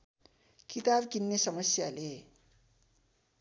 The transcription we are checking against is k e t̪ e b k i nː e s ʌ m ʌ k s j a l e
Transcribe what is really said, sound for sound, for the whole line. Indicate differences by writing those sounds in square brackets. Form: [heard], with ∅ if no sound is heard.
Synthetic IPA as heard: k [i] t̪ [a] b k i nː e s ʌ m ʌ [∅] s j a l e

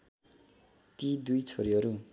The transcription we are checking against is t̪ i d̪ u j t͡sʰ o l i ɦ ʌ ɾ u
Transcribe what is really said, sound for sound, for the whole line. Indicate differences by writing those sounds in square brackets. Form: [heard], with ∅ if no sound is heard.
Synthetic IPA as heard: t̪ i d̪ u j t͡sʰ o [ɾ] i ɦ ʌ ɾ u

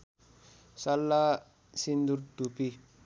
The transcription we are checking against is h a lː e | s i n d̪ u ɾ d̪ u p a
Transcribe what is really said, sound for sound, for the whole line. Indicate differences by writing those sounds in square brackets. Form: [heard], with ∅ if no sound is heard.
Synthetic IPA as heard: [s] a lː [a] | s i n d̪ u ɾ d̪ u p [i]

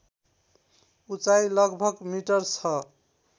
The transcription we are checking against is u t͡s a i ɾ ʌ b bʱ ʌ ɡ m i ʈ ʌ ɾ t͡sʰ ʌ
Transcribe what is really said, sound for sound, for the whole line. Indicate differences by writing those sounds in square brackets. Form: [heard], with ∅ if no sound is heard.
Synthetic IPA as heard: u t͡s a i [l] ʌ [ɡ] bʱ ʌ ɡ m i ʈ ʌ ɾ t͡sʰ ʌ

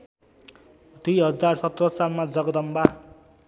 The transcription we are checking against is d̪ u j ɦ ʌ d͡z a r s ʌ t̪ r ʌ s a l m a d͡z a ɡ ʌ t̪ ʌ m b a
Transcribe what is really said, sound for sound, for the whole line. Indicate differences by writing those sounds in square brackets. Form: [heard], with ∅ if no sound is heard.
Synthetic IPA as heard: d̪ u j ɦ ʌ d͡z a r s ʌ t̪ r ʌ s a l m a d͡z [ʌ] ɡ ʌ [d̪] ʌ m b a

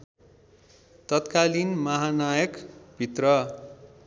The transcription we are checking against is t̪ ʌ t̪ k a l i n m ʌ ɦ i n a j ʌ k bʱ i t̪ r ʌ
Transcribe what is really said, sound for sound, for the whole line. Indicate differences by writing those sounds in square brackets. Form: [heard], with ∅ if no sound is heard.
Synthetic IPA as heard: t̪ ʌ t̪ k a l i n m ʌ ɦ [a] n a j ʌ k bʱ i t̪ r ʌ

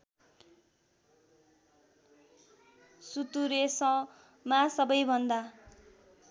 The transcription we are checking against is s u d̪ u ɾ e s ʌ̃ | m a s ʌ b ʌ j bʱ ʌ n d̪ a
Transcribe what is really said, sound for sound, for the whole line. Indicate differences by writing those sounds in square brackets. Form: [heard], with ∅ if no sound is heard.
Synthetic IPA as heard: s u [t̪] u ɾ e s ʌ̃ | m a s ʌ b ʌ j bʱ ʌ n d̪ a

